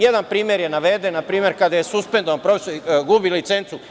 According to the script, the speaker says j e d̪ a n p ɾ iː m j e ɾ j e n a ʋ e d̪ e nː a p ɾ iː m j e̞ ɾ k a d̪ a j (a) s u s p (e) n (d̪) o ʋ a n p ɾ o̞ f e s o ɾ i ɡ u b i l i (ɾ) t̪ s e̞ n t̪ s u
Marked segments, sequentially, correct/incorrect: incorrect: e, correct, correct, incorrect: none

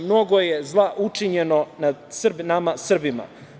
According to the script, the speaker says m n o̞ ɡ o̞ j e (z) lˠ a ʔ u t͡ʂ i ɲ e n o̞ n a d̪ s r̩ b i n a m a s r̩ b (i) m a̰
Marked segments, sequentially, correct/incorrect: correct, correct

